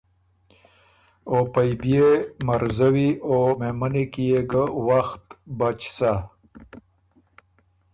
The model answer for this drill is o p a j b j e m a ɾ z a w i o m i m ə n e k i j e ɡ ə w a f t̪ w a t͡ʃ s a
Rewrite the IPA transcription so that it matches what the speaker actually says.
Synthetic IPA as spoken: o p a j b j e m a ɾ z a w i o m e m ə n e k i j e ɡ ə w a x t̪ b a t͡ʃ s a